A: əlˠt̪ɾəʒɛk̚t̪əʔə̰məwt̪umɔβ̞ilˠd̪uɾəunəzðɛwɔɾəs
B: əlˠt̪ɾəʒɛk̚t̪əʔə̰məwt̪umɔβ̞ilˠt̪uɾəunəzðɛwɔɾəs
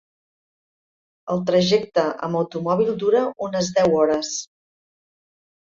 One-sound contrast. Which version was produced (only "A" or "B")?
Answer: A